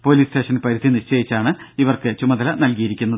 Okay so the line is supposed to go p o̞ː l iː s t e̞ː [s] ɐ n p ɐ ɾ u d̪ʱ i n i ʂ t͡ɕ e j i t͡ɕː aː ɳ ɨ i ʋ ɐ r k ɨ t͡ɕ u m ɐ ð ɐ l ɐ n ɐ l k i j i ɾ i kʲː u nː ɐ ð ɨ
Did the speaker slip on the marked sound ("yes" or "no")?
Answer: yes